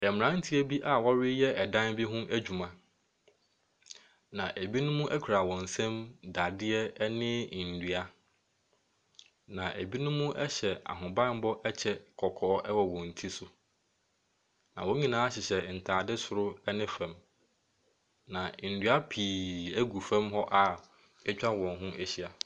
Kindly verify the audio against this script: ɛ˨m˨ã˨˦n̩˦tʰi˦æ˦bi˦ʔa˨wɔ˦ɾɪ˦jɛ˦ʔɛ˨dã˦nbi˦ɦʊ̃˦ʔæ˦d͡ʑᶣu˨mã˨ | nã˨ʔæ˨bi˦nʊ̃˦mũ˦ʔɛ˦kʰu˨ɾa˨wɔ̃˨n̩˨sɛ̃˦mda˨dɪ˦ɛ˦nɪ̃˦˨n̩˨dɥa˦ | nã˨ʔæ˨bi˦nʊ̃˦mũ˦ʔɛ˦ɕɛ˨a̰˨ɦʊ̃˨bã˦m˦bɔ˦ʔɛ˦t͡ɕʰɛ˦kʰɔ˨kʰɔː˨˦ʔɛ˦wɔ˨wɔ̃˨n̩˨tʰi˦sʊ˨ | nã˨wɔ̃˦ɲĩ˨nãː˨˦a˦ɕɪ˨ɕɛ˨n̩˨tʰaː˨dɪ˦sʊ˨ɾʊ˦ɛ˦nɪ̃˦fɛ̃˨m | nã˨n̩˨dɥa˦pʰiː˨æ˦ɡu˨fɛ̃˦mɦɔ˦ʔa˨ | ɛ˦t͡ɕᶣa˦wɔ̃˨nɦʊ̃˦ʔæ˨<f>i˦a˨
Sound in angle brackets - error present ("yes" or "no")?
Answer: yes